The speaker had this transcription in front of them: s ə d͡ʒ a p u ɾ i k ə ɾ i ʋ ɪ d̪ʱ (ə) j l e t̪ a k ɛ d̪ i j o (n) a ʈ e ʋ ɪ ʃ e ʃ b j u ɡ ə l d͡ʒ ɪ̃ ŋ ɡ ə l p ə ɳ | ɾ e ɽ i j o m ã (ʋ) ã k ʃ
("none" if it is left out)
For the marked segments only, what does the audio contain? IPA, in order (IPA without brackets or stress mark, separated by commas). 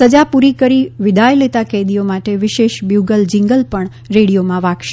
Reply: a, m, ʋ